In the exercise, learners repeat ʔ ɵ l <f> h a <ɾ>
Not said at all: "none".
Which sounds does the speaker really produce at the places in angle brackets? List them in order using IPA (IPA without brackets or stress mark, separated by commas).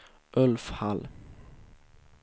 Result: f, l